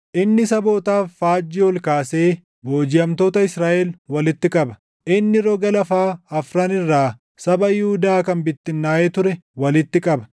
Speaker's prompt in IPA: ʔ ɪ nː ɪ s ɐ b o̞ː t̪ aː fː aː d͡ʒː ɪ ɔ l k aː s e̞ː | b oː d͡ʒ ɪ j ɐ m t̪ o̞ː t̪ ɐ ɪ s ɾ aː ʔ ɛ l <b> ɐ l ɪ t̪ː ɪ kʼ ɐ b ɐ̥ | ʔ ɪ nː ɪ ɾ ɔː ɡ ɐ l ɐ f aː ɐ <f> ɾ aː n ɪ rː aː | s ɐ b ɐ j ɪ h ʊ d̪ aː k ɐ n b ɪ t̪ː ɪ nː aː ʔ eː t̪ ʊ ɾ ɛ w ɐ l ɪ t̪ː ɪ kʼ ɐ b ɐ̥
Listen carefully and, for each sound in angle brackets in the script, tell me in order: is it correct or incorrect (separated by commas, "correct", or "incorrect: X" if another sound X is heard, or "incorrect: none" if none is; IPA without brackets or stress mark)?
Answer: incorrect: w, correct